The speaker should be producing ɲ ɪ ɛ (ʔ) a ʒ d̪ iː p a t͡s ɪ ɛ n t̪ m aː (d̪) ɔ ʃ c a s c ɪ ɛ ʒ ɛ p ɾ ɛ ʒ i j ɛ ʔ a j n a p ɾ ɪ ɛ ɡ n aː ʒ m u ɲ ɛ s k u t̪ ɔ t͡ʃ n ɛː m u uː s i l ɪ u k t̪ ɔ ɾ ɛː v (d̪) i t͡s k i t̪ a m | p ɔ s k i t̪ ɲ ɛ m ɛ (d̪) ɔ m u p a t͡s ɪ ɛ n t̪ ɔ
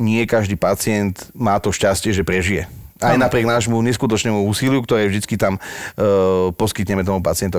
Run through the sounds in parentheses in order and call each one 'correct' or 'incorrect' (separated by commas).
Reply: incorrect, incorrect, correct, incorrect